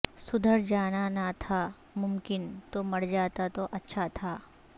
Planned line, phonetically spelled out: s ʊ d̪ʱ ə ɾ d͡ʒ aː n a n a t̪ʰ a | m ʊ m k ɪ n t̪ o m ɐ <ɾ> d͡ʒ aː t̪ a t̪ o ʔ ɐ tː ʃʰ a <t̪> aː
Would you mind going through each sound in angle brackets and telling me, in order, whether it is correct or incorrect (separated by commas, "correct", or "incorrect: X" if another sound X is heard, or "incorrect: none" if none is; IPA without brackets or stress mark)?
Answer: incorrect: ɽ, incorrect: t̪ʰ